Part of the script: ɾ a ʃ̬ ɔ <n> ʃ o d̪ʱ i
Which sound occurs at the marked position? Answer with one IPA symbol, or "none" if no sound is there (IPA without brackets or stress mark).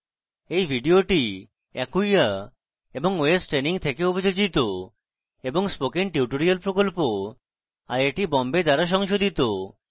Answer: ŋ